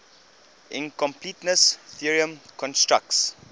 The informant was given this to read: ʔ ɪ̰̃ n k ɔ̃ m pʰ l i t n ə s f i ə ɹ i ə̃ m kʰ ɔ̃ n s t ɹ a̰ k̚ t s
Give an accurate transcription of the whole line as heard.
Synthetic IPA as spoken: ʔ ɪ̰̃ n k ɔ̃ m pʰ l i t n ə s θ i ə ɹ i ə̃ m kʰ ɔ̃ n s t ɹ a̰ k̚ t s